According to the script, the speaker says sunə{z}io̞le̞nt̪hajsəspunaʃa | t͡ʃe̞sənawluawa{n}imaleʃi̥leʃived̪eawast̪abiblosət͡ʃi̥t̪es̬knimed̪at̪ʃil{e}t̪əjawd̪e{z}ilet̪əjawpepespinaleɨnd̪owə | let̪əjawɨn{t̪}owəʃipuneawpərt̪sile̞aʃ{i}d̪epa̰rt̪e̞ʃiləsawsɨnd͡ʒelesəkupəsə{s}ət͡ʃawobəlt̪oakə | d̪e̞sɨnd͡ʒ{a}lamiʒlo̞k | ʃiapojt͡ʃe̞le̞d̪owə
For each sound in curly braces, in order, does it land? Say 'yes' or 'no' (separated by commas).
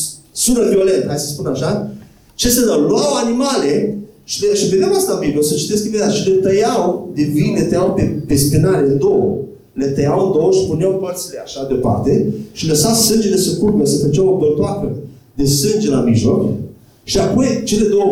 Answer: no, yes, yes, no, no, no, no, no